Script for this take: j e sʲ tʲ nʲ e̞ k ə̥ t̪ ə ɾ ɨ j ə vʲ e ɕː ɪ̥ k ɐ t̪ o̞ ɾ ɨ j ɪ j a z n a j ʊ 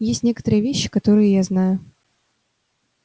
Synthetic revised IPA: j e sʲ tʲ nʲ e̞ k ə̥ t̪ ə ɾ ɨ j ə vʲ e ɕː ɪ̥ k ɐ t̪ o̞ ɾ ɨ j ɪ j a z n a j ʊ